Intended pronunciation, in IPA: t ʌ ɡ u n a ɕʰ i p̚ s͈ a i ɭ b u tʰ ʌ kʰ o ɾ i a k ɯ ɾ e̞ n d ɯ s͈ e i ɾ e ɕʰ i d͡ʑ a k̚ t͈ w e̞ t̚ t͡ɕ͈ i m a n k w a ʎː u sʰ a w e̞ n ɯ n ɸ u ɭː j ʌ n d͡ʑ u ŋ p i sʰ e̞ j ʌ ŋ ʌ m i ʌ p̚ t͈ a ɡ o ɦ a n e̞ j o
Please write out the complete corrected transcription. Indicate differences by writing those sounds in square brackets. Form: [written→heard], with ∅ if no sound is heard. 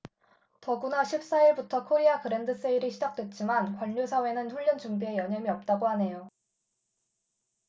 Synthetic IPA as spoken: t ʌ ɡ u n a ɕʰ i p̚ s͈ a i ɭ b u tʰ ʌ kʰ o ɾ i a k ɯ ɾ e̞ n d ɯ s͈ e i ɾ [e→i] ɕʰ i d͡ʑ a k̚ t͈ w e̞ t̚ t͡ɕ͈ i m a n k w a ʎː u sʰ a w e̞ n ɯ n ɸ u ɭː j ʌ n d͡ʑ u ŋ [p→b] i [sʰ→∅] e̞ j ʌ [ŋ→ɲ] ʌ m i ʌ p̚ t͈ a ɡ o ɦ a n e̞ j o